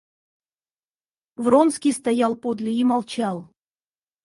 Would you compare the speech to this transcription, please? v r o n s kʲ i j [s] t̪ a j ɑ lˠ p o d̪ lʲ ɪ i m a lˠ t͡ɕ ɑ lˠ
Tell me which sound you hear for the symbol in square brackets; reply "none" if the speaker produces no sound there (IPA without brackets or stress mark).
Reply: s